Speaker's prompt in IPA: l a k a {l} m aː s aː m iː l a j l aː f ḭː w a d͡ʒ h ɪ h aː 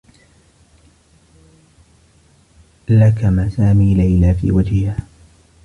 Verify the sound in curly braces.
incorrect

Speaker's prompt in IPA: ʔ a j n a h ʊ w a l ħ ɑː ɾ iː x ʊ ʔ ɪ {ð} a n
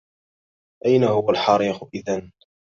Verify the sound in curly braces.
correct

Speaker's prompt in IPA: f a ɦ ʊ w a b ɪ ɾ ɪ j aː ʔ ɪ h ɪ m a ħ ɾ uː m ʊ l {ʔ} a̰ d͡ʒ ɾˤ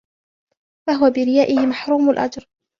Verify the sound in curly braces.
correct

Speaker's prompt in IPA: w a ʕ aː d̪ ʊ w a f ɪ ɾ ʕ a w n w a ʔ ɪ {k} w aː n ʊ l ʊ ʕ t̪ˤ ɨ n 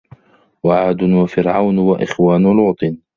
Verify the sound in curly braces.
incorrect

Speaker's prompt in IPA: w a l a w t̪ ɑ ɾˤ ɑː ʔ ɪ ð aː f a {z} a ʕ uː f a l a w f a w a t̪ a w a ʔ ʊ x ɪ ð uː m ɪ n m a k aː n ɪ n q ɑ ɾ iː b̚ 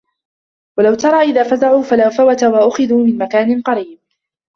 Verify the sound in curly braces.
correct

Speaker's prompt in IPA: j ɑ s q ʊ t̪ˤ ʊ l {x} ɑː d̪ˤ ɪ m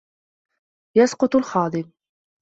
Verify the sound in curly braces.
correct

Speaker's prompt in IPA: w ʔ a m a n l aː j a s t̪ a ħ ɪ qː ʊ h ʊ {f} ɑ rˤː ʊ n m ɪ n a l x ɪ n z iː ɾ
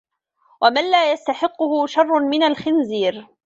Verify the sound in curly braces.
incorrect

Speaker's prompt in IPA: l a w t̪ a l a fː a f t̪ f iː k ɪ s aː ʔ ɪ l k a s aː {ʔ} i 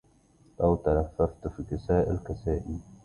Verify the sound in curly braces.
correct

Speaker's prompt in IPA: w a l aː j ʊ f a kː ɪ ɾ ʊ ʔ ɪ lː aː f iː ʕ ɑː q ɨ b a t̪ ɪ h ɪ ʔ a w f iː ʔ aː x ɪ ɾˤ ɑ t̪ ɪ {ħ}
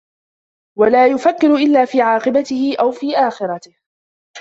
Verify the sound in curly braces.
incorrect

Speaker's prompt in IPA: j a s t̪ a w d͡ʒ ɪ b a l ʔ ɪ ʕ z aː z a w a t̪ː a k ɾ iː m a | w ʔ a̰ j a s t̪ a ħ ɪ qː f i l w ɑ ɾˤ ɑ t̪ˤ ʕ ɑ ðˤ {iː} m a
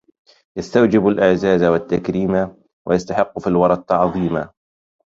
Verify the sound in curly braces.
correct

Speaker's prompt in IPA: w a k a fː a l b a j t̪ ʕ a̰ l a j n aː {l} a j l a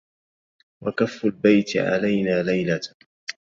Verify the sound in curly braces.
correct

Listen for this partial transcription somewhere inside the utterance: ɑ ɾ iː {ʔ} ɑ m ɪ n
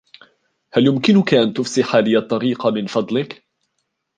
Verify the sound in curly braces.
incorrect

